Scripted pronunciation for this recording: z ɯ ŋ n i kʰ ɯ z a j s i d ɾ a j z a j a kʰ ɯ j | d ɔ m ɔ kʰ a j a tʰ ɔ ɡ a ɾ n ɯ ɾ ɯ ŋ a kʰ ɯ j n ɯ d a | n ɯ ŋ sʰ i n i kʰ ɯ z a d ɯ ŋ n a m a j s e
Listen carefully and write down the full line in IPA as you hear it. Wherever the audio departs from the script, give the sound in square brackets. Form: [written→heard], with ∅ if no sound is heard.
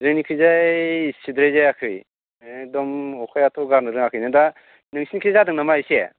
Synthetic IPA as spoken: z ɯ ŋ n i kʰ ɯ z a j s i d ɾ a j z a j a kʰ ɯ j | d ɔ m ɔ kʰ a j a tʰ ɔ ɡ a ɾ n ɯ ɾ ɯ ŋ a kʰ ɯ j n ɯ d a | n ɯ ŋ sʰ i n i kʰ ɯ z a d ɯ ŋ n a m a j s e